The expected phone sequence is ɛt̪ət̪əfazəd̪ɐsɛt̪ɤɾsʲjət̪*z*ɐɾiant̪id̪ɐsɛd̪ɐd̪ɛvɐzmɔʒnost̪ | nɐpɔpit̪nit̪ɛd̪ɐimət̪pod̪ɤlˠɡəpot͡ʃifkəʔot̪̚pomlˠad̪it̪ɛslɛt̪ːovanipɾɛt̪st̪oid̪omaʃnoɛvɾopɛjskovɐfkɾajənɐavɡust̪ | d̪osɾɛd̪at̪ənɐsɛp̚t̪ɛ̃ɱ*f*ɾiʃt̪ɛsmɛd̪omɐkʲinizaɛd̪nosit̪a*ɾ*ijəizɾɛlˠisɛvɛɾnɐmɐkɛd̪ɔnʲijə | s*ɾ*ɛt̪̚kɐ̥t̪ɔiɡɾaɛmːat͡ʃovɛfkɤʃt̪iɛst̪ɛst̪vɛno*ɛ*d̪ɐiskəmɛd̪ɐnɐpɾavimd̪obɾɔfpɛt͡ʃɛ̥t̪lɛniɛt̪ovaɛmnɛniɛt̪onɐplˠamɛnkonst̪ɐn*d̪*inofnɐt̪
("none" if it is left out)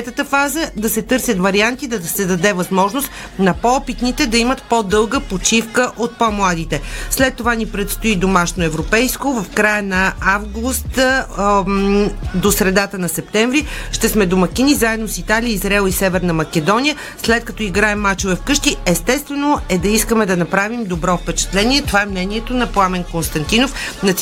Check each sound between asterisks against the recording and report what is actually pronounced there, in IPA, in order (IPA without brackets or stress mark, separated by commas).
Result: v, v, l, l, ɛ, t̪